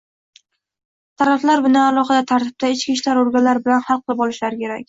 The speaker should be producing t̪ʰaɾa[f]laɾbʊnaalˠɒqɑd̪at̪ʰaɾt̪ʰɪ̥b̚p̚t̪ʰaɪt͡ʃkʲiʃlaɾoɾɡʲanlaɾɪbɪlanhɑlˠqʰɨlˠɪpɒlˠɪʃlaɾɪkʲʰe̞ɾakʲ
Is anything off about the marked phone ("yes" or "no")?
no